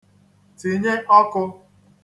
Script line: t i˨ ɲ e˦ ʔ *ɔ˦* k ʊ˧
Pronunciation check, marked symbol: correct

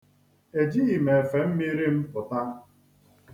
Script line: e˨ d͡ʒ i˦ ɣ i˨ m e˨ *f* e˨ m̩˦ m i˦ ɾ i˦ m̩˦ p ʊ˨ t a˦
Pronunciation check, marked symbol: correct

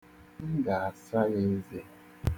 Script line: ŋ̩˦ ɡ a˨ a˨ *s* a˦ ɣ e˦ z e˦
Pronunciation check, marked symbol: correct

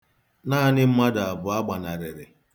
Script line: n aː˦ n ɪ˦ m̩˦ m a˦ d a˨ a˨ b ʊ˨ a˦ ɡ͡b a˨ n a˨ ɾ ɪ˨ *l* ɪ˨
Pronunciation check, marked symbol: incorrect: ɾ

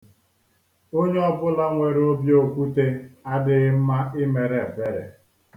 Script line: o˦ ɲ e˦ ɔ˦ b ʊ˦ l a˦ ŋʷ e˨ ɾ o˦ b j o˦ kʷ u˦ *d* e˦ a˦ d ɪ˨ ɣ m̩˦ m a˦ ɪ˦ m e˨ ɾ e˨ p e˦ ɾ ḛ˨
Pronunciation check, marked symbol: incorrect: t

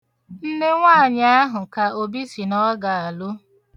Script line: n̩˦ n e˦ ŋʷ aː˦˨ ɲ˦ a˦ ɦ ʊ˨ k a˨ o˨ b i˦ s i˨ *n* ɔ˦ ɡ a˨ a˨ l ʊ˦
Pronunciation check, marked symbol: correct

